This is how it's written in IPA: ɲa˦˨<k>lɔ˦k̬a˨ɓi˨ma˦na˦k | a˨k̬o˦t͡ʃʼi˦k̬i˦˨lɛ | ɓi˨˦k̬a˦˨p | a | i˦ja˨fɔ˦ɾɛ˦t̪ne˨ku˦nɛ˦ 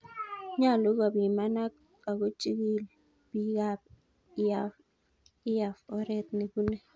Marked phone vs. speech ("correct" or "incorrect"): incorrect